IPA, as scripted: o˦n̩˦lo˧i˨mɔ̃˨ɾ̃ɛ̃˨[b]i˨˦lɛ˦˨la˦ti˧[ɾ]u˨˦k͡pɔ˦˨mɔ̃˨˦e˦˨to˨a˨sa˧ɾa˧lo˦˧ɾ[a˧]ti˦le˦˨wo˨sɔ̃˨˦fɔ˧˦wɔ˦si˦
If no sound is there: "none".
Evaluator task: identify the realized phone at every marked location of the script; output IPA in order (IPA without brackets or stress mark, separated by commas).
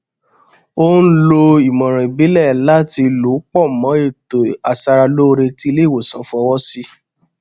b, l, e˧